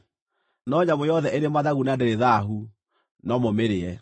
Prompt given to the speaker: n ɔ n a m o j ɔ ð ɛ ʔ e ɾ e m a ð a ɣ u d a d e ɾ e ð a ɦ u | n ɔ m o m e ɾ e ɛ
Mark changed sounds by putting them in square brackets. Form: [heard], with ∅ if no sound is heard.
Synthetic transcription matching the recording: n ɔ [ɲ] a m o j ɔ ð ɛ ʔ e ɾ e m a ð a ɣ u [n] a d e ɾ e ð a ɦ u | n ɔ m o m e ɾ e ɛ

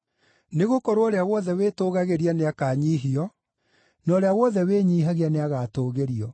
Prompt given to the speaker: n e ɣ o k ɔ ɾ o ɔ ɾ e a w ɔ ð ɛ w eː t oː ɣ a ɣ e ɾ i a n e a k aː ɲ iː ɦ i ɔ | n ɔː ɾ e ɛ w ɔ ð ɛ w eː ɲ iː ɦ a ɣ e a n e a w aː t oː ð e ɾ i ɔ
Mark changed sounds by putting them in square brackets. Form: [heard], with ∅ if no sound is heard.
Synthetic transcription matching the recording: n e ɣ o k ɔ ɾ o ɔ ɾ e a w ɔ ð ɛ w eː t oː ɣ a ɣ e ɾ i a n e a k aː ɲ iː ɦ i ɔ | n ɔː ɾ e [a] w ɔ ð ɛ w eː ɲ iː ɦ a ɣ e a n e a [ɣ] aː t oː [ɣ] e ɾ i ɔ

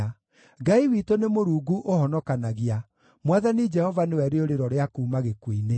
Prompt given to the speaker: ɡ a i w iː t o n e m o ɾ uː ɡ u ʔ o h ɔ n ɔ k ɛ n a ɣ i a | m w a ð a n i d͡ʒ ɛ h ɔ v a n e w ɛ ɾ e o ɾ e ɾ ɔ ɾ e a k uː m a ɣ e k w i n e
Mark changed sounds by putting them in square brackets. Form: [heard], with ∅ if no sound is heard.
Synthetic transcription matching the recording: ɡ a i w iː t o n e m o ɾ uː ɡ u ʔ o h ɔ n ɔ k [a] n a ɣ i a | m w a ð a n i d͡ʒ ɛ h ɔ v a n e w ɛ ɾ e o ɾ e ɾ ɔ ɾ e a k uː m a ɣ e k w i n e

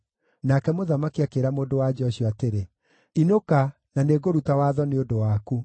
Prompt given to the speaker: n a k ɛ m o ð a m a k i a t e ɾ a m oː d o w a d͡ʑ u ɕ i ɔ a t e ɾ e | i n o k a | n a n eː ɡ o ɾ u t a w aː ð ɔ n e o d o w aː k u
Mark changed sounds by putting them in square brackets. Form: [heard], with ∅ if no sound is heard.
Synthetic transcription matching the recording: n a k ɛ m o ð a m a k i a [k] e ɾ a m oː d o w a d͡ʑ [ɔ] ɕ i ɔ a t e ɾ e | i n o k a | n a n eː ɡ o ɾ u t a w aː ð ɔ n e o d o w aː k u

